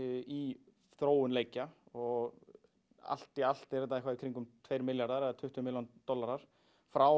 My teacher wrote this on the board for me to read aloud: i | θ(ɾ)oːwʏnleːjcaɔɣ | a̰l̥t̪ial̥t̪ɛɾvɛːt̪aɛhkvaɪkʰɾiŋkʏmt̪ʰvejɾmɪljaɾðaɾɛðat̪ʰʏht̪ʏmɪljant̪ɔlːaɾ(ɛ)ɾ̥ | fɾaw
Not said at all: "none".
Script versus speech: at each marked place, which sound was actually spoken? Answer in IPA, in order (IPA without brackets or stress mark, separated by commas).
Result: ɾ, a